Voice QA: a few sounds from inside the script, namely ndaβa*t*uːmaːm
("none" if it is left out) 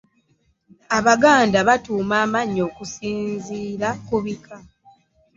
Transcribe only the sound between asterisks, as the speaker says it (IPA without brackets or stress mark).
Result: t